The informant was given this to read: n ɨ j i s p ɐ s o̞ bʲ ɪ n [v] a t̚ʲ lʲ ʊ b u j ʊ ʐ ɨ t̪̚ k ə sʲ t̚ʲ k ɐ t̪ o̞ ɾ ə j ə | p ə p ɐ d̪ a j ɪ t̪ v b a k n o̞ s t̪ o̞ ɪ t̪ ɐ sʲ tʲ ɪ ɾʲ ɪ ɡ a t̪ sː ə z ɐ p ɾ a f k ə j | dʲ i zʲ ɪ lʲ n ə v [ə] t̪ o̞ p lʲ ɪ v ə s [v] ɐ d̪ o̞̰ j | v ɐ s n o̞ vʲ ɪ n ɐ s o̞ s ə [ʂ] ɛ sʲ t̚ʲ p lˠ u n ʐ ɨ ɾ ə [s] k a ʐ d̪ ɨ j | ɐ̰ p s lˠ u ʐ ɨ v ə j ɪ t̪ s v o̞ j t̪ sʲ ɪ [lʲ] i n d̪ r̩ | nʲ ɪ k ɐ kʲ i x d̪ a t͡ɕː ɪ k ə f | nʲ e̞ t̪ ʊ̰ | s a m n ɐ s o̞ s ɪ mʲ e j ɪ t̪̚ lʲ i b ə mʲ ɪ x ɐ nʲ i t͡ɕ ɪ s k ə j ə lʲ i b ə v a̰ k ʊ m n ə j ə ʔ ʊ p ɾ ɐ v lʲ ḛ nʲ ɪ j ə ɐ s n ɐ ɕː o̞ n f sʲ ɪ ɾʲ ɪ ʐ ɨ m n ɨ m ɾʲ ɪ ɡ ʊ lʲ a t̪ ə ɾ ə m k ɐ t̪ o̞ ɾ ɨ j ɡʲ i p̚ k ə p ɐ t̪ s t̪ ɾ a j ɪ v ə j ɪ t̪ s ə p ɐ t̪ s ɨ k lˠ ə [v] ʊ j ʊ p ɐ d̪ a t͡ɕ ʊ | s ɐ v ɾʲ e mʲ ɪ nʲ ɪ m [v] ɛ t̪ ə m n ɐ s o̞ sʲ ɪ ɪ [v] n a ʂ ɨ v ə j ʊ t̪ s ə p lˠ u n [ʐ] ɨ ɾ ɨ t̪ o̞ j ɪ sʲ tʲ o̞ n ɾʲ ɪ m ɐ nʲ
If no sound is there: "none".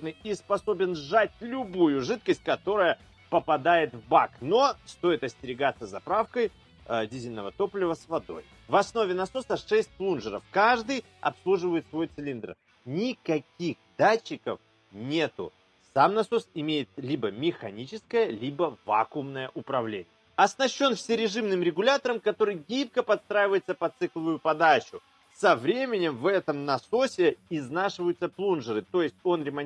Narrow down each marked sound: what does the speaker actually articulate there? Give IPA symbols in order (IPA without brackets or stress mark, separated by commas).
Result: ʐ, ə, v, ʂ, f, lʲ, v, v, z, ʐ